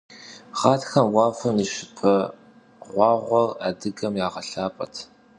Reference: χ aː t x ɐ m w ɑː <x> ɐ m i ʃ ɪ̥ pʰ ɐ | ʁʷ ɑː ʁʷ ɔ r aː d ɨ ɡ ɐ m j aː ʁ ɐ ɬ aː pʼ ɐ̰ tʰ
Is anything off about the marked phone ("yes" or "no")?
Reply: yes